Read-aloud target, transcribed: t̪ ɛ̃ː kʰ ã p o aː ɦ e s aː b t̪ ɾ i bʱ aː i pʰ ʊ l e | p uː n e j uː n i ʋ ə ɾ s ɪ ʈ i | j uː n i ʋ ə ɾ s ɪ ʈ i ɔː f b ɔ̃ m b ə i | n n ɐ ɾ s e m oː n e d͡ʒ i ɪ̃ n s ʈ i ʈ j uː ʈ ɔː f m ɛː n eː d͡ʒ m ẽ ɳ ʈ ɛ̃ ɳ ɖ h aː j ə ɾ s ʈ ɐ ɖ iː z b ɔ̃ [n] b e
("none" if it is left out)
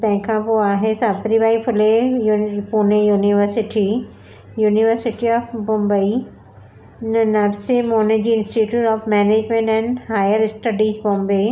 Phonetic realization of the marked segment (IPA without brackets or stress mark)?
m